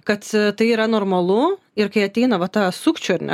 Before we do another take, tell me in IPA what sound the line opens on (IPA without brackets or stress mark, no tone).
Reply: k